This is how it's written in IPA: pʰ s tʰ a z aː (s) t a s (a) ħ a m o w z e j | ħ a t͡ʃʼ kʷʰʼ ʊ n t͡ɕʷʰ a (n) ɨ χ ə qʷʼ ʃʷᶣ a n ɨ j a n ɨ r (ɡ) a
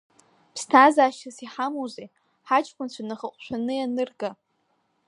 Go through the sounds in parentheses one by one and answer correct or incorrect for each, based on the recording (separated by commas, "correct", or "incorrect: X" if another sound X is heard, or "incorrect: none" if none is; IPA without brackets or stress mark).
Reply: incorrect: ʃ, incorrect: i, correct, correct